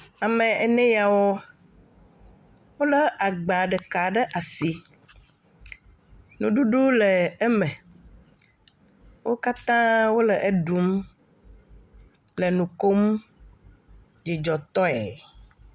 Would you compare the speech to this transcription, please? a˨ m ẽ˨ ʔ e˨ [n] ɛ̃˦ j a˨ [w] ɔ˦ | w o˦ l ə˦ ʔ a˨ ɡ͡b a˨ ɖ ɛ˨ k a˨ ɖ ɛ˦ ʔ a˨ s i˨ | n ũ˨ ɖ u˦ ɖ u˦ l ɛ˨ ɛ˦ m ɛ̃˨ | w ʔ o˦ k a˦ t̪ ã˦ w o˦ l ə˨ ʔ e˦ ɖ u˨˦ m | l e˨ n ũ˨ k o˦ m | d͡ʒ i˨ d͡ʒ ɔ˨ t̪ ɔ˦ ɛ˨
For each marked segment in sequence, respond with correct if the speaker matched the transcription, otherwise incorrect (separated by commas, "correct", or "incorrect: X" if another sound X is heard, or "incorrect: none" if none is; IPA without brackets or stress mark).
correct, correct